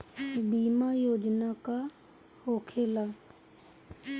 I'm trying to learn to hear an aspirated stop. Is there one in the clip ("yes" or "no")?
yes